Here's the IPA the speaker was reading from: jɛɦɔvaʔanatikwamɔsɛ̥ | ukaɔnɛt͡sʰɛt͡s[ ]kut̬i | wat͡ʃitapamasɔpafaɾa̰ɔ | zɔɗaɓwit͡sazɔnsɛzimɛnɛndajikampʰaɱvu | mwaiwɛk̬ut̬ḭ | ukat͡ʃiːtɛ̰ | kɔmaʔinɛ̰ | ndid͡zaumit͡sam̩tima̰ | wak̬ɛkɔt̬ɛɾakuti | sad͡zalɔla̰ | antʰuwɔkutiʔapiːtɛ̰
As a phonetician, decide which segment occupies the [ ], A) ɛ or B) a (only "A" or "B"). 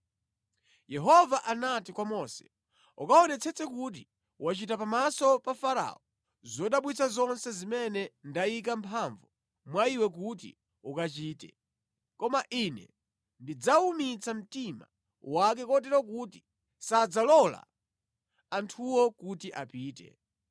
A